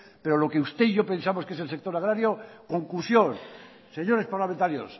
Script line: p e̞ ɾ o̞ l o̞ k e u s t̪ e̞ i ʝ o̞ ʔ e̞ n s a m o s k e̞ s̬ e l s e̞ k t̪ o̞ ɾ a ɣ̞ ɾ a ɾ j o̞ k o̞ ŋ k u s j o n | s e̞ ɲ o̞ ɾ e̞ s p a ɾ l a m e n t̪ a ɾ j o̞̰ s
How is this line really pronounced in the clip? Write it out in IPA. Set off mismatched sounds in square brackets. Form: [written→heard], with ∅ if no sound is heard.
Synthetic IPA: p e̞ ɾ o̞ l o̞ k e u s t̪ e̞ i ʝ o̞ [ʔ→p] e̞ n s a m o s k e̞ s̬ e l s e̞ k t̪ o̞ ɾ a ɣ̞ ɾ a ɾ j o̞ k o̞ ŋ k u s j o n | s e̞ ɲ o̞ ɾ e̞ s p a ɾ l a m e n t̪ a ɾ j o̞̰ s